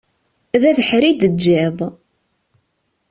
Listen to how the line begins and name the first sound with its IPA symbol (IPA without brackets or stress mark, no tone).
ð